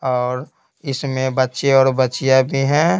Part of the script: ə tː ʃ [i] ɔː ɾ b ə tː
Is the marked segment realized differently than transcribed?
yes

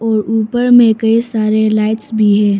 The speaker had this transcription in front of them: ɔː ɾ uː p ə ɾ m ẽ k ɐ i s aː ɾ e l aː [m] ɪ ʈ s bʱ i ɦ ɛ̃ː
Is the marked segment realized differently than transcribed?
yes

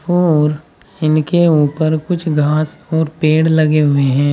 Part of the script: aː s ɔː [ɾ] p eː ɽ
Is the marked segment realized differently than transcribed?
no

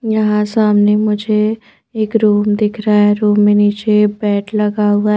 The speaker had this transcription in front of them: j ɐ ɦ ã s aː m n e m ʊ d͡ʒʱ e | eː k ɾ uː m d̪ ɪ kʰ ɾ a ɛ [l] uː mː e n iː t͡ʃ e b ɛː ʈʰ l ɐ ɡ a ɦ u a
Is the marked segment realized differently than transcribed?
yes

